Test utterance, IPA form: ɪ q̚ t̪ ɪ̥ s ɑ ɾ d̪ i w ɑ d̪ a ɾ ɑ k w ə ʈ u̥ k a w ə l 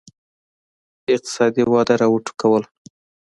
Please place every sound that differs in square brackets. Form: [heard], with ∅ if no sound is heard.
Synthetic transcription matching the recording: ɪ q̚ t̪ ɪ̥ s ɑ [∅] d̪ i w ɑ d̪ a ɾ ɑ [∅] w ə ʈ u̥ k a w ə l